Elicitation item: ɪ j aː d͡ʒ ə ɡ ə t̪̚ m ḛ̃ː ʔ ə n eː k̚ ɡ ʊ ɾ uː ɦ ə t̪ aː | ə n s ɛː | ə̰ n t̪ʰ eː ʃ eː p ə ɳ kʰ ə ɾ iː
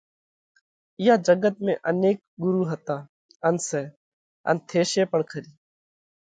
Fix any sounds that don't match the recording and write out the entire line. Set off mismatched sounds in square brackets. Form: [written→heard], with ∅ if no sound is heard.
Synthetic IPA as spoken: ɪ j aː d͡ʒ ə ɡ ə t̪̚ m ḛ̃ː ʔ ə n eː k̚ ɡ ʊ ɾ uː ɦ ə t̪ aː | ə n s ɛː | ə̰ n t̪ʰ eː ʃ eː p ə ɳ kʰ ə ɾ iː